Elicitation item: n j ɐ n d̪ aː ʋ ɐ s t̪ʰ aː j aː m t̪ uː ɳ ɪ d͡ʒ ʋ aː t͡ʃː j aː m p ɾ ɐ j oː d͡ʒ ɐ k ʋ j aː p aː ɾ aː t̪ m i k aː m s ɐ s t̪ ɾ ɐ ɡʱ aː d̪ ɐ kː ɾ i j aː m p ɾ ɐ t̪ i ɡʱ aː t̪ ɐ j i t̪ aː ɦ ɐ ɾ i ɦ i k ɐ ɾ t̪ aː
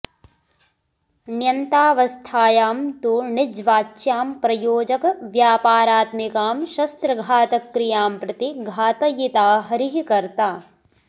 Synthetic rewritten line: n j ɐ n t̪ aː ʋ ɐ s t̪ʰ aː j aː m t̪ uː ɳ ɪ d͡ʒ ʋ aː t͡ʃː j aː m p ɾ ɐ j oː d͡ʒ ɐ k ʋ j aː p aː ɾ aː t̪ m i k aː m ʃ ɐ s t̪ ɾ ɐ ɡʱ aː t̪ ɐ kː ɾ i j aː m p ɾ ɐ t̪ i ɡʱ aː t̪ ɐ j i t̪ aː ɦ ɐ ɾ i ɦ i k ɐ ɾ t̪ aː